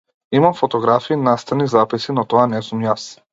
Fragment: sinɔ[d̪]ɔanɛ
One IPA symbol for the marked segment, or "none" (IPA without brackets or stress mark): t̪